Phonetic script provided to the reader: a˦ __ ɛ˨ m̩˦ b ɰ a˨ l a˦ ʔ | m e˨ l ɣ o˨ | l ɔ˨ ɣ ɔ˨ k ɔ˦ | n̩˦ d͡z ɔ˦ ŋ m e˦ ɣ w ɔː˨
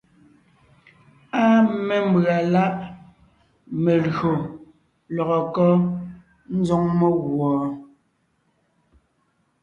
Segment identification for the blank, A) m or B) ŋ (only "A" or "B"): A